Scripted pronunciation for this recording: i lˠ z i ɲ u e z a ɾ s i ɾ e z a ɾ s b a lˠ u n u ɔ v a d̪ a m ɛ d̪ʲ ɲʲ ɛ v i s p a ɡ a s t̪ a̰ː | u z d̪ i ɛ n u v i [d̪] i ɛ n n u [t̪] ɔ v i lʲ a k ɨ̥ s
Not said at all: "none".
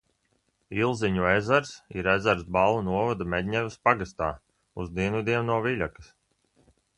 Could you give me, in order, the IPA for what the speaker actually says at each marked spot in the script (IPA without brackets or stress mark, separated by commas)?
d̪, none